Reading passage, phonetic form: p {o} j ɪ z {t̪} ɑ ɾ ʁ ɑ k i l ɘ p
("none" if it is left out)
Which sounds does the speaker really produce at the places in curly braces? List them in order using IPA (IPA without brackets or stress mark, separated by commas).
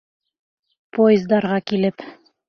o, d̪